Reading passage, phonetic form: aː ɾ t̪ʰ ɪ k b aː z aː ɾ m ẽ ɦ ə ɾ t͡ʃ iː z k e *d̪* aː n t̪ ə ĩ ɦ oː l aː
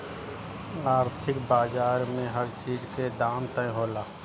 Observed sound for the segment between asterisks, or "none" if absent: d̪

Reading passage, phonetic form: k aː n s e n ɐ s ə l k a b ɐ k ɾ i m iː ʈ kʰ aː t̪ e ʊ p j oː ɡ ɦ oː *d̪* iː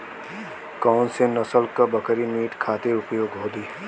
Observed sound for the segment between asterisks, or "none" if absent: d̪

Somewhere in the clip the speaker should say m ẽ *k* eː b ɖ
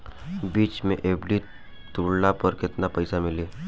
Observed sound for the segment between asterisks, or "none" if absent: ʔ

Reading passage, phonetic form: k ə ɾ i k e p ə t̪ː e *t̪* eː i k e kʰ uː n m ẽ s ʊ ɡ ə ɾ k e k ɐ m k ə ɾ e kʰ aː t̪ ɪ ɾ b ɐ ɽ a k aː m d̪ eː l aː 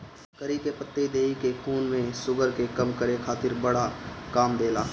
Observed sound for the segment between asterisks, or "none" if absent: d̪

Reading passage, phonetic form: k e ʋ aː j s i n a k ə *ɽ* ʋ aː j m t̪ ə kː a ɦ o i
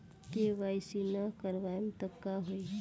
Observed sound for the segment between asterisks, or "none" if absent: ɾ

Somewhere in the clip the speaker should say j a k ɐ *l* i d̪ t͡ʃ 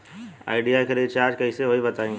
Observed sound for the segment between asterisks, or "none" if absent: ɾ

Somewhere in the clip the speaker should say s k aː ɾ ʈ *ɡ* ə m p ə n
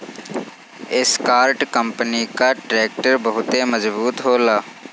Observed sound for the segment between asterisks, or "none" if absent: k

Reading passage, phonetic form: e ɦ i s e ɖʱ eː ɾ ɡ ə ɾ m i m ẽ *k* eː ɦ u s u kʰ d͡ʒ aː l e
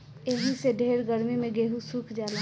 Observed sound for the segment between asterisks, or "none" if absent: ɡ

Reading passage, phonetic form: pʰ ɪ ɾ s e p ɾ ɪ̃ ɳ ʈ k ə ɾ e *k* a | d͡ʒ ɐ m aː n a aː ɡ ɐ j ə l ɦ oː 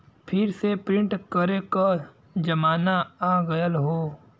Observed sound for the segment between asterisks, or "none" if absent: k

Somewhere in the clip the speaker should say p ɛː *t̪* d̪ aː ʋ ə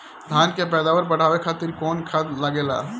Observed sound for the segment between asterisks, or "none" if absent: none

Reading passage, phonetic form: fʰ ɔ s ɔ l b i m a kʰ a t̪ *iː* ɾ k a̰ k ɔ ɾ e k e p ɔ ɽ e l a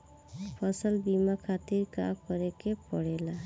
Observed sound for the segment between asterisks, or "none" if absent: i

